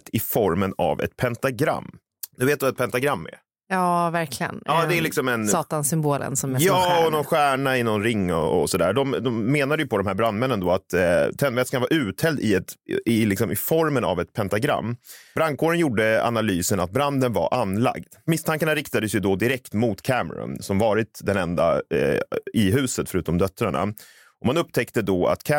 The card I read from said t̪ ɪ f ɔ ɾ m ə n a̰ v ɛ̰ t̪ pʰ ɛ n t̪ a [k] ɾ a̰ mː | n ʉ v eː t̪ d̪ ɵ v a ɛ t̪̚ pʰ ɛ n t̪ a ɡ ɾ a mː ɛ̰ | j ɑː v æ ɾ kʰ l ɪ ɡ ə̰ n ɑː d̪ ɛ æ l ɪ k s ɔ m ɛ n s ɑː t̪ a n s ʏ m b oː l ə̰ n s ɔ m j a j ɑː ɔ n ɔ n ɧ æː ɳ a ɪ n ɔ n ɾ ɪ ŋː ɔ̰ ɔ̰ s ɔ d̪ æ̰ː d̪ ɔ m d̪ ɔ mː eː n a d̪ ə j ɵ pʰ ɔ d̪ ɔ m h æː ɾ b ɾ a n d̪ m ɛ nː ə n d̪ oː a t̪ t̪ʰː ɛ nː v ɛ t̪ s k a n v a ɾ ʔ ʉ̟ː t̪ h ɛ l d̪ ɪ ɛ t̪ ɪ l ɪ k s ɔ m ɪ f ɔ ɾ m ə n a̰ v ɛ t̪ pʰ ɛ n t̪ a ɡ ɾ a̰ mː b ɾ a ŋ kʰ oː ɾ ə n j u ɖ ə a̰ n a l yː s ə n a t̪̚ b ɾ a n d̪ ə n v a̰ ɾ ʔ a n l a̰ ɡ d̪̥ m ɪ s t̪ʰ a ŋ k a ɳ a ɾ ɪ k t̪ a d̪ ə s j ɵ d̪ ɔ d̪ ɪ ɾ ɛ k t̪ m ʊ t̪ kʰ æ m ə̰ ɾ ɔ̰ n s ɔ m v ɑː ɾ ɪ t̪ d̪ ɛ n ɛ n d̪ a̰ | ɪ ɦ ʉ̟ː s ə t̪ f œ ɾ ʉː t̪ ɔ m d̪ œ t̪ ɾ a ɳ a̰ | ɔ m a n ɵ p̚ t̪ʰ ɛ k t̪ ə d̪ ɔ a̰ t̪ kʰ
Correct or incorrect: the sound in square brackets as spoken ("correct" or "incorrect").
incorrect